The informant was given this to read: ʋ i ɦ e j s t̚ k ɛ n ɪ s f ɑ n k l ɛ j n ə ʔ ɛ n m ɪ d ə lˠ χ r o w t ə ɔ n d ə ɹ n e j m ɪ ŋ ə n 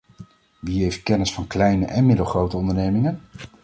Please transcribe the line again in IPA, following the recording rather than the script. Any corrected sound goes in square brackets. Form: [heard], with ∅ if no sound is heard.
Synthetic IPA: ʋ i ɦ e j [f] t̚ k ɛ n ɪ s f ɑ n k l ɛ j n ə ʔ ɛ n m ɪ d ə lˠ χ r o w t ə ɔ n d ə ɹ n e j m ɪ ŋ ə n